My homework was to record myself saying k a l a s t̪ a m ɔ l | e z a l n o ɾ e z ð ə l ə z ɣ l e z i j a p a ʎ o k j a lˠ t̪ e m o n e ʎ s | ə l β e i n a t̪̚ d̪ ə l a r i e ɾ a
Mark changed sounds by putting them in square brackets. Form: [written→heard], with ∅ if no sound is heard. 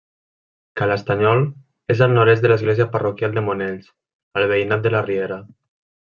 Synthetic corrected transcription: k a l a s t̪ a [m→ɲ] ɔ l | e z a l n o ɾ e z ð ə l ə z ɣ l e z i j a p a [ʎ→r] o k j a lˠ [t̪→d̪] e m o n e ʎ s | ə l β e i n a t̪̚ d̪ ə l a r i e ɾ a